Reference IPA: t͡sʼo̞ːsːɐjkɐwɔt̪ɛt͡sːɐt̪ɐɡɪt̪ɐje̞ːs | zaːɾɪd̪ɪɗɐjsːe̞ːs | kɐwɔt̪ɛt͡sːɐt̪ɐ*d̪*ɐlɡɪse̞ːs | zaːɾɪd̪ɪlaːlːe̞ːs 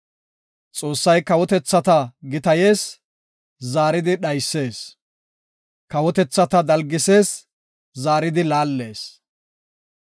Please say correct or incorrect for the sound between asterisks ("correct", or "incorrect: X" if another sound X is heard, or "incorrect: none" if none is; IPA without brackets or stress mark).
correct